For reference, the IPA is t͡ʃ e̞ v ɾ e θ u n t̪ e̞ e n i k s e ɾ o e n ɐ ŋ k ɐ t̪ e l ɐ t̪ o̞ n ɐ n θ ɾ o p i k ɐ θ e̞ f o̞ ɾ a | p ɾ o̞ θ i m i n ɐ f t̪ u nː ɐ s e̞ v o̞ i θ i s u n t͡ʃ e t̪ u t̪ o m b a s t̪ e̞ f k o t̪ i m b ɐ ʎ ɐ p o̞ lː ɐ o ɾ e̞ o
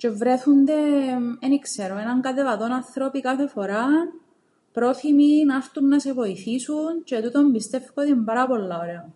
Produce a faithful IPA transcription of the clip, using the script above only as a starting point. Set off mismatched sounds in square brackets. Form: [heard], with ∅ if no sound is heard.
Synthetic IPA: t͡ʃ e̞ v ɾ e θ u n [d̪] e̞ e n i k s e ɾ o e n ɐ ŋ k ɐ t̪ e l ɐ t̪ o̞ n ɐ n θ ɾ o p i k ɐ θ e̞ f o̞ ɾ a | p ɾ o̞ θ i m i n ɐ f t̪ u nː ɐ s e̞ v o̞ i θ i s u n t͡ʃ e t̪ u t̪ o m b [i] s t̪ e̞ f k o t̪ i m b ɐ [ɾ] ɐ p o̞ lː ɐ o ɾ e̞ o